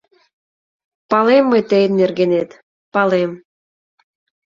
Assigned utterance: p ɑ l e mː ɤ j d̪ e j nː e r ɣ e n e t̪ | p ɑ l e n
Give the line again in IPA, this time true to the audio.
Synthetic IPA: p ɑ l e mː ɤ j t̪ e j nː e r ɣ e n e t̪ | p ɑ l e m

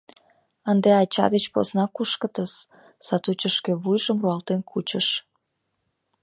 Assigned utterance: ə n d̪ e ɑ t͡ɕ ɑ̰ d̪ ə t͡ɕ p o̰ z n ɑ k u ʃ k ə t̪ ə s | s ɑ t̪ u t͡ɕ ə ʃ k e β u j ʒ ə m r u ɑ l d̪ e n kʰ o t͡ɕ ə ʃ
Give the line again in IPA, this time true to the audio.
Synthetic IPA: ə n d̪ e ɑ t͡ɕ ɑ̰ d̪ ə t͡ɕ p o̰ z n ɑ k u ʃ k ə t̪ ə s | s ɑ t̪ u t͡ɕ ə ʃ k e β u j ʒ ə m r u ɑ l t̪ e n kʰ u t͡ɕ ə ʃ

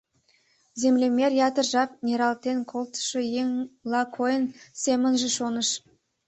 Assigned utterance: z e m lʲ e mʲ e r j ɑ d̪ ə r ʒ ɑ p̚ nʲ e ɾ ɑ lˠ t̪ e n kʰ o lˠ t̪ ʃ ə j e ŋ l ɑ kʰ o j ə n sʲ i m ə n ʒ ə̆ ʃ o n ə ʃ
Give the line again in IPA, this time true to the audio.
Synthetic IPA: z e m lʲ e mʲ e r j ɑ t̪ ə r ʒ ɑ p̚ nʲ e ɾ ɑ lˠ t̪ e n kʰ o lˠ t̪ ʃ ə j e ŋ l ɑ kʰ o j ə n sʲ e m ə n ʒ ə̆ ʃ o n ə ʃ

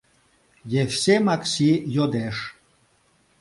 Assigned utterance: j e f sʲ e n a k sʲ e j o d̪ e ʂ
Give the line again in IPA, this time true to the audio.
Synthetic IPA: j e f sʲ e m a k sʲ i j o d̪ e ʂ

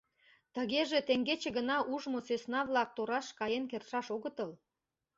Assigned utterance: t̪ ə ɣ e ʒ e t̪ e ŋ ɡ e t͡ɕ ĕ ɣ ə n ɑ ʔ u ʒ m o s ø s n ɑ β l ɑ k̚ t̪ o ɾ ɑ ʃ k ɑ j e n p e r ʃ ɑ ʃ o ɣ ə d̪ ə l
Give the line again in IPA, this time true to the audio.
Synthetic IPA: t̪ ə ɣ e ʒ e t̪ e ŋ ɡ e t͡ɕ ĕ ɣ ə n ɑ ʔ u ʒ m o s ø s n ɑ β l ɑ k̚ t̪ o ɾ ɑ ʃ k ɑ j e n k e r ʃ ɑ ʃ o ɣ ə t̪ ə l

